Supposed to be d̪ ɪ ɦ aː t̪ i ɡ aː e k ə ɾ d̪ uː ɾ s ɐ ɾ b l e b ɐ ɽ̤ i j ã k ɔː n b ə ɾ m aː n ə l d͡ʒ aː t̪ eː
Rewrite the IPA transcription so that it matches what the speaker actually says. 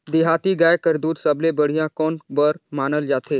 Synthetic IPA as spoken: d̪ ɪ ɦ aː t̪ i ɡ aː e k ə ɾ d̪ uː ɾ s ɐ b l e b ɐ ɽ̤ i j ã k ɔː n b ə ɾ m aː n ə l d͡ʒ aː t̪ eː